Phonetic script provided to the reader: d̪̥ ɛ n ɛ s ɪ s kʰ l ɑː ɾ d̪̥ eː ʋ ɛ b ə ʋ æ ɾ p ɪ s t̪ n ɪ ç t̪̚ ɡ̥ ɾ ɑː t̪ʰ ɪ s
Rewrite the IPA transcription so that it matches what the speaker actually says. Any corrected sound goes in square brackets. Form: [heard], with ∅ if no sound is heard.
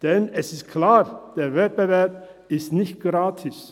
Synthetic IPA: d̪̥ ɛ n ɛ s ɪ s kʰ l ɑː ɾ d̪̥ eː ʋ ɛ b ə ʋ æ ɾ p ɪ s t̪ n ɪ ç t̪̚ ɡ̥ ɾ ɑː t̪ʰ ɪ s